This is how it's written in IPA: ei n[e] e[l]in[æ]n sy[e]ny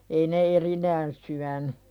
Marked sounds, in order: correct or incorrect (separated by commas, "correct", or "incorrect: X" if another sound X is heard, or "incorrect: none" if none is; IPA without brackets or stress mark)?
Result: correct, incorrect: r, incorrect: æː, incorrect: æ